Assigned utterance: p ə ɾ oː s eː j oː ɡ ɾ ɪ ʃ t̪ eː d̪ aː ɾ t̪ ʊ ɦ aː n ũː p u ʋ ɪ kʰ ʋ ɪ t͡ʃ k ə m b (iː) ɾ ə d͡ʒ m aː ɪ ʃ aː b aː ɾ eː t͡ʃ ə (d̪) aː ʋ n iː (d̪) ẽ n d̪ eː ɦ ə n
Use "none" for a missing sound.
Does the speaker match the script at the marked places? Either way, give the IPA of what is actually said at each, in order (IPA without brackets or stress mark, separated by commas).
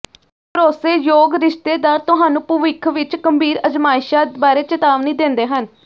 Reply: iː, t̪, d̪